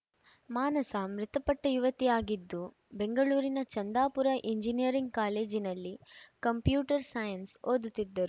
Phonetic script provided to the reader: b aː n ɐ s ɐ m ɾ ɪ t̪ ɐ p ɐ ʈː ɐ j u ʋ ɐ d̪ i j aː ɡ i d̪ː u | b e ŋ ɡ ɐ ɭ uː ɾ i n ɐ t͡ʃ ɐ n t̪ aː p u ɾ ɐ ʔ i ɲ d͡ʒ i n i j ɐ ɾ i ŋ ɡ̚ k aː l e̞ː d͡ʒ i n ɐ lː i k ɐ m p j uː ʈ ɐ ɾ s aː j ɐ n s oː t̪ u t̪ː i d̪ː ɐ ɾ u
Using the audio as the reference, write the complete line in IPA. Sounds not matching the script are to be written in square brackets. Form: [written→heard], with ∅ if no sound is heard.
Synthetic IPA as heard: [b→m] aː n ɐ s ɐ m ɾ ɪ t̪ ɐ p ɐ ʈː ɐ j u ʋ ɐ [d̪→t̪] i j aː ɡ i d̪ː u | b e ŋ ɡ ɐ ɭ uː ɾ i n ɐ t͡ʃ ɐ n [t̪→d̪] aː p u ɾ ɐ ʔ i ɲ d͡ʒ i n i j ɐ ɾ i ŋ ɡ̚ k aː l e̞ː d͡ʒ i n ɐ lː i k ɐ m p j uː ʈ ɐ ɾ s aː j ɐ n s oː [t̪→d̪] u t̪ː i d̪ː ɐ ɾ u